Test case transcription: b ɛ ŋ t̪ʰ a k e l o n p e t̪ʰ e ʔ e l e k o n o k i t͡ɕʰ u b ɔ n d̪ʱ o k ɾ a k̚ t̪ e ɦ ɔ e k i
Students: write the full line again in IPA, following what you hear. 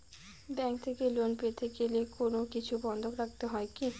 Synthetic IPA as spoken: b ɛ ŋ t̪ʰ e k e l o n p e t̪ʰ e k e l e k o n o k i t͡ɕʰ u b ɔ n d̪ʱ o k ɾ a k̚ t̪ e ɦ ɔ e k i